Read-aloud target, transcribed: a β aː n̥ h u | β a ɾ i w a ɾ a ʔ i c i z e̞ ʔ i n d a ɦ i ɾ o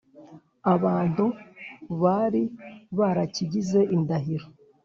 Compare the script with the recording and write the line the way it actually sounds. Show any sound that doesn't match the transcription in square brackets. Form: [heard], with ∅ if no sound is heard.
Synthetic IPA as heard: a β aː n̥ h u | β a ɾ i [β] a ɾ a [c] i [ɟ] i z e̞ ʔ i n d a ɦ i ɾ o